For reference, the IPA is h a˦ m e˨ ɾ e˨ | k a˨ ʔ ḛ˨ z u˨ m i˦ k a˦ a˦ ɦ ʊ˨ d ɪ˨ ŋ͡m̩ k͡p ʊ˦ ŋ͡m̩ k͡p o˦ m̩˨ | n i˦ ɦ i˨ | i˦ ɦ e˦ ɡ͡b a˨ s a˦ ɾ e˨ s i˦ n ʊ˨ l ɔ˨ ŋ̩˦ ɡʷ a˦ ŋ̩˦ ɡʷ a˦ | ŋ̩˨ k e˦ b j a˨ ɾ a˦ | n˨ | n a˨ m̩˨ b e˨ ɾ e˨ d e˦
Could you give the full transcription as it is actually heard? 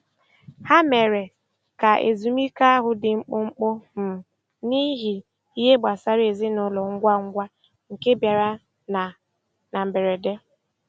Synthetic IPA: h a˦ m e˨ ɾ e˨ | k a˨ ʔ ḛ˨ z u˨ m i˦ k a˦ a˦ ɦ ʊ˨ d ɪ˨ ŋ͡m̩ k͡p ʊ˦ ŋ͡m̩ k͡p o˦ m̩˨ | n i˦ ɦ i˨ | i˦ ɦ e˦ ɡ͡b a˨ s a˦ ɾ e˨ z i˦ n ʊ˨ l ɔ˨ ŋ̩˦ ɡʷ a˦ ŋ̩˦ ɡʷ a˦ | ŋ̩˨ k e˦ b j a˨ ɾ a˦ | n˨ | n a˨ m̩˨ b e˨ ɾ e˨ d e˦